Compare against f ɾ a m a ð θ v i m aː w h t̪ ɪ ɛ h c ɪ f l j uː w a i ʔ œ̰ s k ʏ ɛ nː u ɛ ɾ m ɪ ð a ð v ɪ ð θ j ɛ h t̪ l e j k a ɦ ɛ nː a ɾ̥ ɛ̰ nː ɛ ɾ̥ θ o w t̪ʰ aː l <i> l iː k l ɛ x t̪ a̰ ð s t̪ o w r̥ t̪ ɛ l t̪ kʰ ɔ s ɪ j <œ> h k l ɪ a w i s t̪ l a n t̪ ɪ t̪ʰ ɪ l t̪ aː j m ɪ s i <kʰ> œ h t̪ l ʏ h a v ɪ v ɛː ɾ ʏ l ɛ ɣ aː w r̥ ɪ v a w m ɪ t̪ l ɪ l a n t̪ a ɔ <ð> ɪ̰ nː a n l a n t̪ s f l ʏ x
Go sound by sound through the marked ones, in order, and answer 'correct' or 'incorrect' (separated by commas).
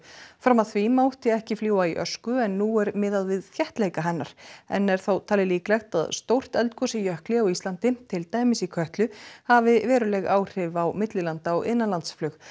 incorrect, correct, correct, incorrect